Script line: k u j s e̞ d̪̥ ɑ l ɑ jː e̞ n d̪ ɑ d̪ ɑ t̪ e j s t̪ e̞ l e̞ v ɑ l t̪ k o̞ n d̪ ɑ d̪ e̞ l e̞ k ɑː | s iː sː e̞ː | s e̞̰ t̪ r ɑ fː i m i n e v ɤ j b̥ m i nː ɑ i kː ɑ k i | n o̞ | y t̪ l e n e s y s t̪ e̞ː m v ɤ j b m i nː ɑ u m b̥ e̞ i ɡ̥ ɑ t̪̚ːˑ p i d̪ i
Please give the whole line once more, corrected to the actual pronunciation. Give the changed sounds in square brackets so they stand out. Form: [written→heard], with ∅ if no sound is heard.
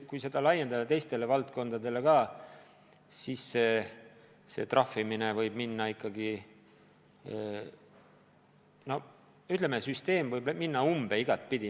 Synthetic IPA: k u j s e̞ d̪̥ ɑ l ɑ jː e̞ n d̪ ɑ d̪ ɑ t̪ e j s t̪ e̞ l e̞ v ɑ l t̪ k o̞ n d̪ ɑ d̪ e̞ l e̞ k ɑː | s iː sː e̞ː | s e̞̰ t̪ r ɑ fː i m i n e v ɤ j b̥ m i nː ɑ i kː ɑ [k→ɡ] i | n o̞ | y t̪ l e [n→m] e s y s t̪ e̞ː m v ɤ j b m i nː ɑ u m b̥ e̞ i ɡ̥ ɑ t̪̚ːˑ p i d̪ i